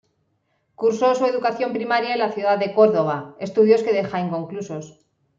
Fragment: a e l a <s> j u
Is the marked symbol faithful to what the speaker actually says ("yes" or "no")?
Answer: no